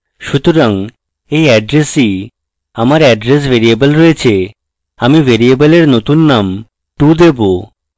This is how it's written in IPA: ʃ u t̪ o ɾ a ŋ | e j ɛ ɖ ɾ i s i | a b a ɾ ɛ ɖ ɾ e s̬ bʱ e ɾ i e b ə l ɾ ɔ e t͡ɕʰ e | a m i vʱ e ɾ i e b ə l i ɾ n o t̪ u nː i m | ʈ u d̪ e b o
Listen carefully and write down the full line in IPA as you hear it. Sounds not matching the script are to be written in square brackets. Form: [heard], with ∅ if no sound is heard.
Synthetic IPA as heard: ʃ u t̪ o ɾ a ŋ | e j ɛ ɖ ɾ [e] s i | a [m] a ɾ ɛ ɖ ɾ e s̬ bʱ e ɾ i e b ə l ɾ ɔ e t͡ɕʰ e | a m i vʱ e ɾ i e b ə l [e] ɾ n o t̪ u nː [a] m | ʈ u d̪ e b o